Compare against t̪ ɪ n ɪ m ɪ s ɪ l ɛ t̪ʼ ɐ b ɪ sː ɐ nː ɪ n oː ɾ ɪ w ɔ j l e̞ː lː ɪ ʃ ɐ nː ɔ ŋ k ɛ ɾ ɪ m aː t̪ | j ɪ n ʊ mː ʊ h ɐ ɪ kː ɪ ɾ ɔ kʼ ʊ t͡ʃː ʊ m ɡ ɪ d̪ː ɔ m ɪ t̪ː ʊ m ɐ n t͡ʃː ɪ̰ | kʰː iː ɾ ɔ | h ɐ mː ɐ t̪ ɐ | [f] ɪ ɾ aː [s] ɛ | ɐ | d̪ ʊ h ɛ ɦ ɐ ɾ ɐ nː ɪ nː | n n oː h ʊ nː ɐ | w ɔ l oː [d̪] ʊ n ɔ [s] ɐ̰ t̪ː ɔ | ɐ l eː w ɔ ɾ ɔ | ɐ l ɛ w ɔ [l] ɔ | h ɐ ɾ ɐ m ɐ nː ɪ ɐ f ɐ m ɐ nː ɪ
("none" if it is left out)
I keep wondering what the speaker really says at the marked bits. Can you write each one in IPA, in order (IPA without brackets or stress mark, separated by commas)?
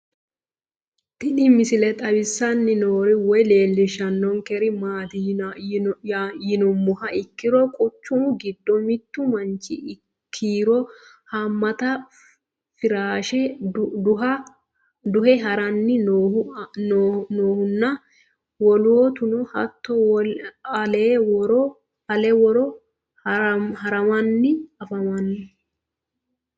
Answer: f, ʃ, t̪, h, ɾ